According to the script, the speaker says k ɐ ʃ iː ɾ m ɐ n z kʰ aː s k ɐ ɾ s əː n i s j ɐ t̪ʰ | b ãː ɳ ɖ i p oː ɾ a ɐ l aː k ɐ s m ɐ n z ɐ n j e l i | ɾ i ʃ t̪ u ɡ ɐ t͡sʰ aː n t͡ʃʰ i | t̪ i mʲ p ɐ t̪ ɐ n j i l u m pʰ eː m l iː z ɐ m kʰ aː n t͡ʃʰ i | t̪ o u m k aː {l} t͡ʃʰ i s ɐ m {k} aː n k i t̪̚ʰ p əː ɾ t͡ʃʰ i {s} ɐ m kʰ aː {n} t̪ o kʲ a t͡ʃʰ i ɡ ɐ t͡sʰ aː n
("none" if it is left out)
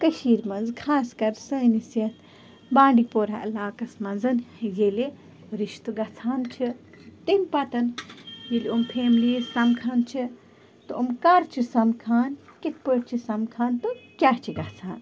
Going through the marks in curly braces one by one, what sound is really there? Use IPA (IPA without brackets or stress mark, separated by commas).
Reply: ɾ, kʰ, s, n